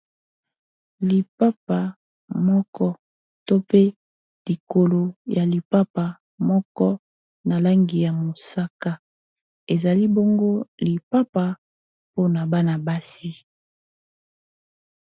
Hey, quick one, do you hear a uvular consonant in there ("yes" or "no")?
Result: no